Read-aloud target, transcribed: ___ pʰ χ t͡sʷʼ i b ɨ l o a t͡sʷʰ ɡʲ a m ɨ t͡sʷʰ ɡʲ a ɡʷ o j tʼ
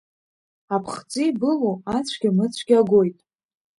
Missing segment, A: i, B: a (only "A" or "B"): B